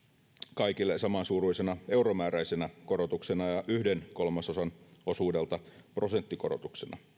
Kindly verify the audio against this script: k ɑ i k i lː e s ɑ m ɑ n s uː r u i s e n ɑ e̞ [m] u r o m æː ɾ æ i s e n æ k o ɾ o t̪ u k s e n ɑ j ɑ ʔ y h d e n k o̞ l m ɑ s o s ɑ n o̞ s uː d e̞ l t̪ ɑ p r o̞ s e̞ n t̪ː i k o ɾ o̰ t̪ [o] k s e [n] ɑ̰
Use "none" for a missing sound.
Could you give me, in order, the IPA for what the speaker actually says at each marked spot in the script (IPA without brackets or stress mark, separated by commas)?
none, u, n